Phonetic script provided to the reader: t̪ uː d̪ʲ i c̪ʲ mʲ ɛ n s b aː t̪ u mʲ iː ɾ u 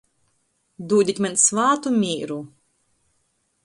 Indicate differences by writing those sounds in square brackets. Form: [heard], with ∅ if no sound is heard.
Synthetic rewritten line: [d̪] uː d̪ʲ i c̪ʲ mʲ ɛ n s [v] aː t̪ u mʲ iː ɾ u